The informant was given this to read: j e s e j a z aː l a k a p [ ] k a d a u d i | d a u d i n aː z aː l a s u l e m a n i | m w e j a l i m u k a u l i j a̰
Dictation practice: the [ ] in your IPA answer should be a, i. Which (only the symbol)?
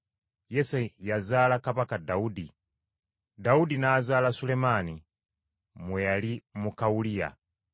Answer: a